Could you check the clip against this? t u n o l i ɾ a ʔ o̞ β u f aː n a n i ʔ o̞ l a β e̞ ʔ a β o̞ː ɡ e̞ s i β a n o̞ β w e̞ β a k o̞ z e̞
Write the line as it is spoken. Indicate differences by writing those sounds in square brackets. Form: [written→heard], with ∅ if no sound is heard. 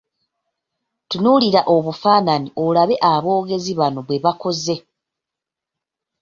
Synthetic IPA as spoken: t u n [o→u] l i ɾ a ʔ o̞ β u f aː n a n i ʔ o̞ l a β e̞ ʔ a β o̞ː ɡ e̞ [s→z] i β a n o̞ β w e̞ β a k o̞ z e̞